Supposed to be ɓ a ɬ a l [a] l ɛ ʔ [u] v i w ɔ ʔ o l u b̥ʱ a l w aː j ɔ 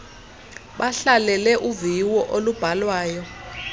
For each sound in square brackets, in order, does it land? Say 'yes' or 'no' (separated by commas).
no, yes